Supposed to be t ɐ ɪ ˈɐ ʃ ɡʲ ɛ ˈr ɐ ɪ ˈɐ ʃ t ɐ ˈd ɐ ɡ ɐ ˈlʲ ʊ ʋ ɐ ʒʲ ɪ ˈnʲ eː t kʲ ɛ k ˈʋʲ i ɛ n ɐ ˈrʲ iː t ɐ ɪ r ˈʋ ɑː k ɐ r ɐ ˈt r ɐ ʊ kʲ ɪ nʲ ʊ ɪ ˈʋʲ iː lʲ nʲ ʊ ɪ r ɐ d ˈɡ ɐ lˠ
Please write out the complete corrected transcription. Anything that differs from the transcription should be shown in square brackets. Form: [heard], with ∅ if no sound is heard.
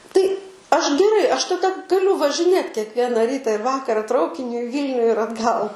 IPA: t ɐ ɪ ˈɐ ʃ ɡʲ ɛ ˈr ɐ ɪ ˈɐ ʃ t ɐ ˈd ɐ ɡ ɐ ˈlʲ ʊ ʋ ɐ ʒʲ ɪ ˈnʲ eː t kʲ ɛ k ˈʋʲ i ɛ n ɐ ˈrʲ iː t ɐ ɪ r ˈʋ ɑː k ɐ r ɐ ˈt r ɐ ʊ kʲ ɪ nʲ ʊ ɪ ˈʋʲ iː lʲ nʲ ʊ ɪ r ɐ d ˈɡ ɐ lˠ

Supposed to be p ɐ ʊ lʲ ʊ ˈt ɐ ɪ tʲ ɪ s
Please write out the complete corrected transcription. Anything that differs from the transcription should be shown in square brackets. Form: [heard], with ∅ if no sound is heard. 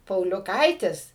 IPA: p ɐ ʊ lʲ ʊ [ˈk] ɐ ɪ tʲ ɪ s

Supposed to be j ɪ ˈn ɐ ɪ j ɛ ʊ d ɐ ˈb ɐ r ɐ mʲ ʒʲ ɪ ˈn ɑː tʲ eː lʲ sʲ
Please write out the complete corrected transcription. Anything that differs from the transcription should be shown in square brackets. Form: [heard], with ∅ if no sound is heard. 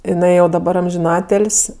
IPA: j ɪ ˈn ɐ ɪ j ɛ ʊ d ɐ ˈb ɐ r ɐ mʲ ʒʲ ɪ ˈn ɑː tʲ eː lʲ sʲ

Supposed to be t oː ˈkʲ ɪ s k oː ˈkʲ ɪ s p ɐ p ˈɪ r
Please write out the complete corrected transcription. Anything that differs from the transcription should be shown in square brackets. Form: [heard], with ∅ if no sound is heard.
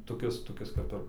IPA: t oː ˈkʲ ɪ s [t] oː ˈkʲ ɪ s [k] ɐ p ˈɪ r

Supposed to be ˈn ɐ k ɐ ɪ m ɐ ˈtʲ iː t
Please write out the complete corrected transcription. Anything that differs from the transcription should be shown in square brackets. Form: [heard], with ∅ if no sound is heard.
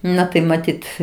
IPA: ˈn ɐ [t] ɐ ɪ m ɐ ˈtʲ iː t

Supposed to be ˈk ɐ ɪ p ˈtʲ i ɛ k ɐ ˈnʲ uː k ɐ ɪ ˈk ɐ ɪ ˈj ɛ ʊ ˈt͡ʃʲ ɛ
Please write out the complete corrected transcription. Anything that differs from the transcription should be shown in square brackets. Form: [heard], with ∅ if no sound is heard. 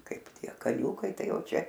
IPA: ˈk ɐ ɪ p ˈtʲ i ɛ k ɐ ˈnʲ uː k ɐ ɪ [ˈt] ɐ ɪ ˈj ɛ ʊ ˈt͡ʃʲ ɛ

